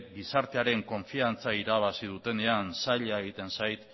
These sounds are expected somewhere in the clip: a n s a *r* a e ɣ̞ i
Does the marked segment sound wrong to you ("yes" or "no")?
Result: yes